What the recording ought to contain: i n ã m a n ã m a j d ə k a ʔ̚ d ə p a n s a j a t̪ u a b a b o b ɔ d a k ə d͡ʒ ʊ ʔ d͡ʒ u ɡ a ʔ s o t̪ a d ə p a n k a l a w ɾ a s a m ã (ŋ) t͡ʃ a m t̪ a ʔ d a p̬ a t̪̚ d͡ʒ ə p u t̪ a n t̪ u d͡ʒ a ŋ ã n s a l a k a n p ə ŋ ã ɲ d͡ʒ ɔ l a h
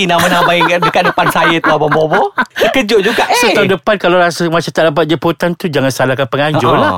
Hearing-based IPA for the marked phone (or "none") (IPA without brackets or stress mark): none